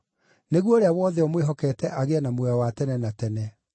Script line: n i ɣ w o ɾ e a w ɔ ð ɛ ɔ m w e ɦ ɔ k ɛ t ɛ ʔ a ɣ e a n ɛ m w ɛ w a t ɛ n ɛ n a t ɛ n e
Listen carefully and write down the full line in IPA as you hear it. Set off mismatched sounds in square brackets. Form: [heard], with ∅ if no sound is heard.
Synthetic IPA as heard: n [e] ɣ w o ɾ e a w ɔ ð ɛ ɔ m w e ɦ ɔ k ɛ t ɛ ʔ a ɣ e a n [a] m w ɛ w a t ɛ n ɛ n a t ɛ n [ɛ]